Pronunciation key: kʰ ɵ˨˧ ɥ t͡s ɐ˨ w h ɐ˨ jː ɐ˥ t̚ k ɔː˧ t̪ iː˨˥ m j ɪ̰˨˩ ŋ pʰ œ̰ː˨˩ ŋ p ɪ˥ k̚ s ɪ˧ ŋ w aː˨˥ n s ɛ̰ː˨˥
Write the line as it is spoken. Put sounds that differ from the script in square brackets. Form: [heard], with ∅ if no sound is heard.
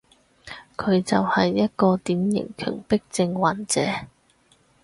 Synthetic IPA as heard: kʰ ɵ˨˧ ɥ t͡s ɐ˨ w h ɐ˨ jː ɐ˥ t̚ k ɔː˧ t̪ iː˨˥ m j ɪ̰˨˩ ŋ [kʰ] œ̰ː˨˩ ŋ p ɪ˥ k̚ [t͡s] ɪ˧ ŋ w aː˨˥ n [t͡s] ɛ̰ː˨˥